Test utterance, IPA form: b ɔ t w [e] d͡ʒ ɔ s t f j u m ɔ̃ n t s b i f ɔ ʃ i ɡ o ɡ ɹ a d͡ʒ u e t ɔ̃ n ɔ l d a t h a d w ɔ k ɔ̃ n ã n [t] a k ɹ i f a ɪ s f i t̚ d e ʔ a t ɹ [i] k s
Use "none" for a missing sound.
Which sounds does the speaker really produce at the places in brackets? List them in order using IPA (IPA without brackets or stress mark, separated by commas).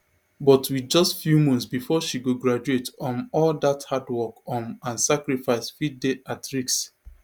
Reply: i, s, i